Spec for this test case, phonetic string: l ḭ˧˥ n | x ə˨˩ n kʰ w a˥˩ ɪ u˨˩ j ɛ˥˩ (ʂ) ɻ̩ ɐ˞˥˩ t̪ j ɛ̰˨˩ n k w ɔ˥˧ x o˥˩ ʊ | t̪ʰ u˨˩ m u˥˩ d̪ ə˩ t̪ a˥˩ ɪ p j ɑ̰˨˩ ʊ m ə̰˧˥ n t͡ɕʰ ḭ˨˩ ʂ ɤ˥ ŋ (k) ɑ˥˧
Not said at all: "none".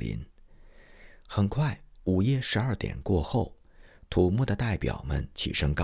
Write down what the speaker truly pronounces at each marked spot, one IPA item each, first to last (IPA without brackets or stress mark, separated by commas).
ʂ, k